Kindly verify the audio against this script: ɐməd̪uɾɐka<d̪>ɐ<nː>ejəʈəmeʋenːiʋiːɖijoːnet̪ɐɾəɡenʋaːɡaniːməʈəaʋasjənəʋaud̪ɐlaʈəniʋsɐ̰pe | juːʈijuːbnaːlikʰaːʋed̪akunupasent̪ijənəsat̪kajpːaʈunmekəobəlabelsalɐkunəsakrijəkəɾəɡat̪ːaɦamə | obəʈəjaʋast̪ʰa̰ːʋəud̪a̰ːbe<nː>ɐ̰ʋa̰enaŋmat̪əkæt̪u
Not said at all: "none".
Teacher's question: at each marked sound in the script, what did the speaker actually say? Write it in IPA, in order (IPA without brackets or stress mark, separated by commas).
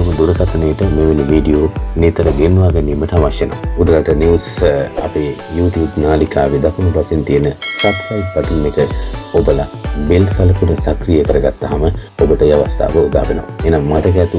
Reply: t̪, n, n